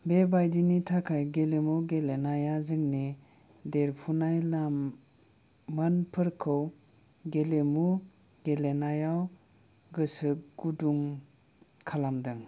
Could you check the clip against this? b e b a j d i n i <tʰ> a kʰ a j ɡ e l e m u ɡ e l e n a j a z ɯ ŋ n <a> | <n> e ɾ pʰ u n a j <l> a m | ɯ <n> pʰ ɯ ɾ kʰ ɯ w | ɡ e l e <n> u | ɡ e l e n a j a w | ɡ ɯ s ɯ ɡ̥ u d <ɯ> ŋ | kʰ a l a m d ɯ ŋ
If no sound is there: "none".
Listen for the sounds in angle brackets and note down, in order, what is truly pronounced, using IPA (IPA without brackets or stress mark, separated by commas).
tʰ, i, d, l, n, m, u